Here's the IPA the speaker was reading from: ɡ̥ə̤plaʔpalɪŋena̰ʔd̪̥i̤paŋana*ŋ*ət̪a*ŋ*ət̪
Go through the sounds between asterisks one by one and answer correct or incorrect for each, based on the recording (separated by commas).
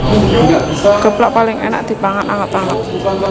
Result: correct, correct